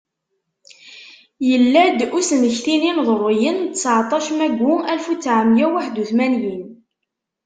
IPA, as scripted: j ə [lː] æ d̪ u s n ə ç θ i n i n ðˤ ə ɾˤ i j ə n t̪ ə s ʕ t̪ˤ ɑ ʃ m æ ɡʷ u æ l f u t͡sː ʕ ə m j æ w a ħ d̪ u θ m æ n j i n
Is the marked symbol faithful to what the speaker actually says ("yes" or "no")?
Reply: yes